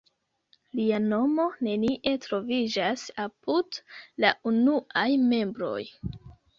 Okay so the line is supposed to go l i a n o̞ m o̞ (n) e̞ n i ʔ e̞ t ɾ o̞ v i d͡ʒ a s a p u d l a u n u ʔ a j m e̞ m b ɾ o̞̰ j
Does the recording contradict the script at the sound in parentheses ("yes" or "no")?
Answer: no